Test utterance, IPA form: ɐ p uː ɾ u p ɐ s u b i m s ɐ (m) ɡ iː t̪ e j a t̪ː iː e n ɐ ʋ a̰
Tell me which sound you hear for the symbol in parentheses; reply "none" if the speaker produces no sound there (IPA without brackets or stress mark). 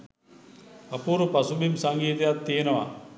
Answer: ŋ